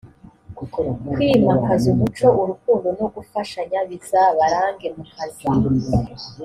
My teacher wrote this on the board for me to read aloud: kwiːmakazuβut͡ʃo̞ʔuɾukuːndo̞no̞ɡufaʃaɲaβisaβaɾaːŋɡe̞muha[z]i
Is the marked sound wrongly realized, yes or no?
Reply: no